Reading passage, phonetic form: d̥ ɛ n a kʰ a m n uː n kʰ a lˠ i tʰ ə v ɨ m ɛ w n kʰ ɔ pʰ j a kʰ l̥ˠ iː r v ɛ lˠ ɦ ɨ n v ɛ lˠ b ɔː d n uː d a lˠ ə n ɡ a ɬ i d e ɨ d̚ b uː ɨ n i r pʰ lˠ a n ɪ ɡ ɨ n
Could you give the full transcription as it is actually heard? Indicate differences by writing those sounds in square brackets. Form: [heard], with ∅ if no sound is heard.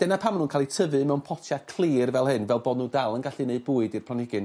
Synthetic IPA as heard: d̥ ɛ n a [pʰ] a m n uː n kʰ a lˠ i tʰ ə v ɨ m ɛ w n [pʰ] ɔ [tʰ] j a kʰ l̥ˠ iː r v ɛ lˠ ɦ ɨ n v ɛ lˠ b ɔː d n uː d a lˠ ə n ɡ a ɬ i [n] e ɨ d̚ b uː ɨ [d] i r pʰ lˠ a n ɪ ɡ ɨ n